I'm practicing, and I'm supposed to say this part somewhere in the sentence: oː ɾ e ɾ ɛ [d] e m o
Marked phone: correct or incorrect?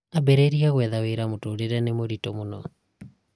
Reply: incorrect